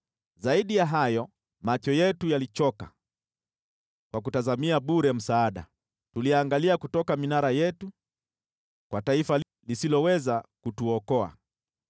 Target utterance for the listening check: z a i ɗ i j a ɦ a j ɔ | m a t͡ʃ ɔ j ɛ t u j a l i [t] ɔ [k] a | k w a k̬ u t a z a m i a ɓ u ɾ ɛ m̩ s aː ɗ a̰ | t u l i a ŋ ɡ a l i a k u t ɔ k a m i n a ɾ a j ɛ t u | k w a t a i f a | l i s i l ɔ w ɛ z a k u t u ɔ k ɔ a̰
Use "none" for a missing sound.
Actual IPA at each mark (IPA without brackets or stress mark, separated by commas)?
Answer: t͡ʃ, k